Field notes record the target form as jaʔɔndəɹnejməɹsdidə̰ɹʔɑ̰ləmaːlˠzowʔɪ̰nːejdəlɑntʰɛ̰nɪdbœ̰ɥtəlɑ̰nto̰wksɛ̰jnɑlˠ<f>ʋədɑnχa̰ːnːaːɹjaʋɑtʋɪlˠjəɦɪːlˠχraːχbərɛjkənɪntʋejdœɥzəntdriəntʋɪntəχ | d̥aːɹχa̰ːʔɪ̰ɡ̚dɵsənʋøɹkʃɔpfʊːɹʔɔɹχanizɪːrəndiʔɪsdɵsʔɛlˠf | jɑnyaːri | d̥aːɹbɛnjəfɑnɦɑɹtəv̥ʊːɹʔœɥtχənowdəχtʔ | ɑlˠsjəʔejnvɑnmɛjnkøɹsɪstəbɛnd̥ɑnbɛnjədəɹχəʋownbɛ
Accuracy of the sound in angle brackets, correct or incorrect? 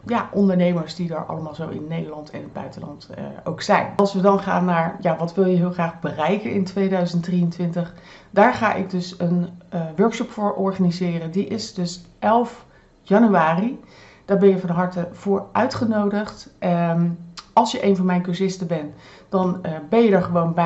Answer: incorrect